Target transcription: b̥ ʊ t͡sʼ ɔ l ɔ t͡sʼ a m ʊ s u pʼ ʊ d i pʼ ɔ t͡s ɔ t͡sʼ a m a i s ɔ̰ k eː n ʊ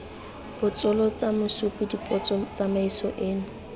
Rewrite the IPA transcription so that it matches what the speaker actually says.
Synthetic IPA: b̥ ʊ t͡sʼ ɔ l ɔ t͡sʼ a m ʊ s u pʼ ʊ d i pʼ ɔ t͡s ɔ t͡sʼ a m a i s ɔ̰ ʔ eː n ʊ

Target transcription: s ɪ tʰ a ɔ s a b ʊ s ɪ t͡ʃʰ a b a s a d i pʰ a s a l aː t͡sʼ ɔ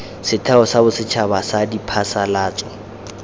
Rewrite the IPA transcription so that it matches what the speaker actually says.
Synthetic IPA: s ɪ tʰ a ɔ s a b ʊ s ɪ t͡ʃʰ a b a s a d i pʰ a s a l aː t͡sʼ ɔ

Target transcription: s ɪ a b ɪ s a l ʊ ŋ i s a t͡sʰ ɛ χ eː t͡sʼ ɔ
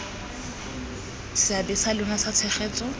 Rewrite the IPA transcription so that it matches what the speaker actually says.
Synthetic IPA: s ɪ a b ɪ s a l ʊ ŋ a s a t͡sʰ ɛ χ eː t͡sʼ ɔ

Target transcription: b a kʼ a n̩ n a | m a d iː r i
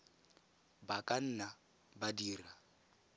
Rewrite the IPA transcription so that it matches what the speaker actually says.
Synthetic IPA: b a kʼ a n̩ n a | b a d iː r a

